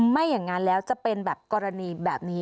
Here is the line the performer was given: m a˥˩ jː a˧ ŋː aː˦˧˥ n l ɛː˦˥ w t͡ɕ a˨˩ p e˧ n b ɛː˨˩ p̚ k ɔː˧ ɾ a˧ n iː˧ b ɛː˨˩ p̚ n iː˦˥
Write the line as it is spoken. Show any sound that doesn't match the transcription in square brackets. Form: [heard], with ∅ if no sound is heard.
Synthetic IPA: m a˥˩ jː [a˨˩] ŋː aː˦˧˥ n l ɛː˦˥ w t͡ɕ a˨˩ p e˧ n b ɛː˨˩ p̚ k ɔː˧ ɾ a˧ n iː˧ b ɛː˨˩ p̚ n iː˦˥